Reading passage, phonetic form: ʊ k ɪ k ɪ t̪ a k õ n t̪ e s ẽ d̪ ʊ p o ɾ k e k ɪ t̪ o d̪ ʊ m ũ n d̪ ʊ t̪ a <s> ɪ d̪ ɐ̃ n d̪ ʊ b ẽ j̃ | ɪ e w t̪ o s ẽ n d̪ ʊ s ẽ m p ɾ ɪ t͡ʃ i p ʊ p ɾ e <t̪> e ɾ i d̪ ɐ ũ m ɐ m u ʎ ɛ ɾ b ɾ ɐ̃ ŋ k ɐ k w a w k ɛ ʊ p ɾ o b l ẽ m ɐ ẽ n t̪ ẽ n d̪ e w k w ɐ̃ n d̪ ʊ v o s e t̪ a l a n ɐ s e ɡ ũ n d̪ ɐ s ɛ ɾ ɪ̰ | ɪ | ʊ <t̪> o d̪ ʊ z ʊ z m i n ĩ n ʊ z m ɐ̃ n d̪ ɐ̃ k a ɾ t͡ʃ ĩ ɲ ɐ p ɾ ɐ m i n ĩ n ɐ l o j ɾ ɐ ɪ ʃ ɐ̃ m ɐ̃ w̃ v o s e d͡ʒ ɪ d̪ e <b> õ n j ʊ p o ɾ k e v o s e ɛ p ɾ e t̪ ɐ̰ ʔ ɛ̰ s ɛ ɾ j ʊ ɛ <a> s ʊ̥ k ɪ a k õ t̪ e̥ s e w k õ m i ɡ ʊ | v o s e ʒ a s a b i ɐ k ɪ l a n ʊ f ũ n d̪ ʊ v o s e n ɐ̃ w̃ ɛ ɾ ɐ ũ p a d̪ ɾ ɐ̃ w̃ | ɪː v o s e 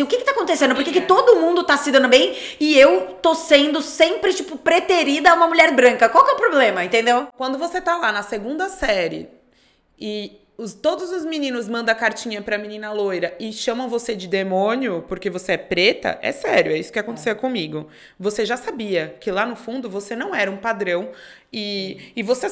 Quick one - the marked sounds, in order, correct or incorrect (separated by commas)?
correct, correct, correct, incorrect, incorrect